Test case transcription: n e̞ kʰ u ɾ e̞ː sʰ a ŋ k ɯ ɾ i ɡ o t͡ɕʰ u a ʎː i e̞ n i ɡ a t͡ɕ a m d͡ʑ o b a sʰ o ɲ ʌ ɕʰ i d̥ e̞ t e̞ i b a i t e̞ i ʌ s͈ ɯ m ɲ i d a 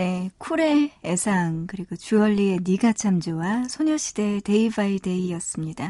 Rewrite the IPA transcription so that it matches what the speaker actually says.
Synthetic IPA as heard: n e̞ kʰ u ɾ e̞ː sʰ a ŋ k ɯ ɾ i ɡ o t͡ɕ u ʌ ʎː i e̞ n i ɡ a t͡ɕʰ a m d͡ʑ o w a sʰ o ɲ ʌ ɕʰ i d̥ e̞ t e̞ i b a i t e̞ i ʌ s͈ ɯ m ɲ i d a